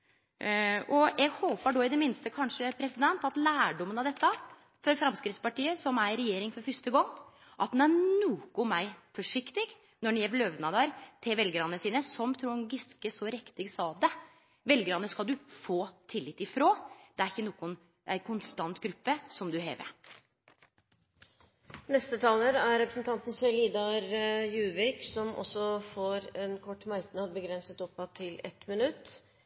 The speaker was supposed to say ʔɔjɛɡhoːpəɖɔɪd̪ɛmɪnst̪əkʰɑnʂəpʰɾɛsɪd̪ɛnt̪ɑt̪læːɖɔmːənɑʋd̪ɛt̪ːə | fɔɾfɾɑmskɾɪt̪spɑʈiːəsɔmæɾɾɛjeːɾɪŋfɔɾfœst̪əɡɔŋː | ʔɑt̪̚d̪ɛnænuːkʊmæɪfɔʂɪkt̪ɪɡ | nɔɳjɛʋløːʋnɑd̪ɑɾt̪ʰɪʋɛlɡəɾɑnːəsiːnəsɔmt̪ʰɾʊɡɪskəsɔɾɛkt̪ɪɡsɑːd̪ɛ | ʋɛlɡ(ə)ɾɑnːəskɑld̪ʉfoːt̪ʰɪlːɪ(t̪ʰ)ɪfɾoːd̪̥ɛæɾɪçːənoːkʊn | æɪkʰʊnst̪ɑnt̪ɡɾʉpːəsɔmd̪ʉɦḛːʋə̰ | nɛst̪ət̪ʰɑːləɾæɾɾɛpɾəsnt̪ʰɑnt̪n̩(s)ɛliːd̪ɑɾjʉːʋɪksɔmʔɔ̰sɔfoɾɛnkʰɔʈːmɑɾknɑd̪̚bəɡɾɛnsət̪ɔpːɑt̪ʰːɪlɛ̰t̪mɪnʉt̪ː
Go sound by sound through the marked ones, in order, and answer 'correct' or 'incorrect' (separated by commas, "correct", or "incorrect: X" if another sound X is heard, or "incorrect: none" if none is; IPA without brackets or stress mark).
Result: correct, incorrect: t̪, correct